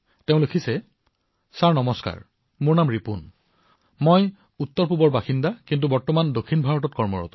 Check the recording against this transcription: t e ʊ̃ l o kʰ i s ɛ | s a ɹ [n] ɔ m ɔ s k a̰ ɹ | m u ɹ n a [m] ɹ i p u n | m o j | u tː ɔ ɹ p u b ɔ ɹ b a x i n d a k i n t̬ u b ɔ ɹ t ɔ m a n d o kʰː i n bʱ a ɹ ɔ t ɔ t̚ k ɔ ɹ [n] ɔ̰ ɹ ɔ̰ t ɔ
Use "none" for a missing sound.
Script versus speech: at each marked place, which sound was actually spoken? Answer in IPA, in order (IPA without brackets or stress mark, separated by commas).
n, m, m